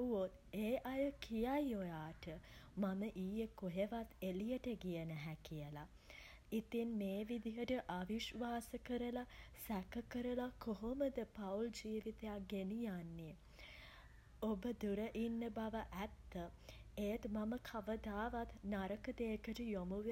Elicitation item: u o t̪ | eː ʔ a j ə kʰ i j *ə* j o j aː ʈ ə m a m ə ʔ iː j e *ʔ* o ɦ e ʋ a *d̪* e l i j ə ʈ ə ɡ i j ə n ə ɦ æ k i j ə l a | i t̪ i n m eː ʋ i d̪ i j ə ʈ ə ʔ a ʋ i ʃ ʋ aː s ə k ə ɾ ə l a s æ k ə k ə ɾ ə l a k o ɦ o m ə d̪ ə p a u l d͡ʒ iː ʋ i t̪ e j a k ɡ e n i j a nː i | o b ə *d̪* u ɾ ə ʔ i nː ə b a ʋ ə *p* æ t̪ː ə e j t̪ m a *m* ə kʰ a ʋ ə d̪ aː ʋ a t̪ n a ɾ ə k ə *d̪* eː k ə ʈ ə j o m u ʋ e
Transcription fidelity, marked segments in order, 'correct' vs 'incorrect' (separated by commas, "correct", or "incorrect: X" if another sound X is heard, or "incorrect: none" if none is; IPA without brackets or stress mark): incorrect: a, incorrect: k, incorrect: t̪, correct, incorrect: ʔ, correct, correct